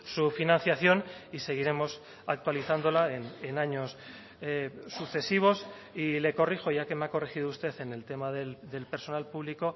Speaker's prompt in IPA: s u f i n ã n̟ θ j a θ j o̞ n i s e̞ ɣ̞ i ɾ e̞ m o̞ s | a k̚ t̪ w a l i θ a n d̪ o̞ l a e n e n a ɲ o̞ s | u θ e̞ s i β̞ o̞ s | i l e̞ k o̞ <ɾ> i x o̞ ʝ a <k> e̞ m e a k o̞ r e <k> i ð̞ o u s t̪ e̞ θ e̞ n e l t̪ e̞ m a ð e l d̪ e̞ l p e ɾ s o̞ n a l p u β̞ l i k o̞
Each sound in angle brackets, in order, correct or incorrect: incorrect, correct, incorrect

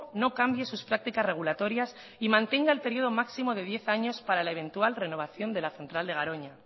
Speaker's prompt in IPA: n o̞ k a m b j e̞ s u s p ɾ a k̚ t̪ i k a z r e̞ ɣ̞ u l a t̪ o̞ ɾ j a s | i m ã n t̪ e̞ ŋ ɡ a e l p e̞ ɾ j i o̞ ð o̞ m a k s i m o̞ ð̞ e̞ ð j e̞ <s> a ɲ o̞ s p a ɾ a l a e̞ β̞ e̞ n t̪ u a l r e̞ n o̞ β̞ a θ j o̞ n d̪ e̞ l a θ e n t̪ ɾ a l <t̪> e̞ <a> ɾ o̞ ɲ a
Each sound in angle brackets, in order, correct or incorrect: incorrect, incorrect, correct

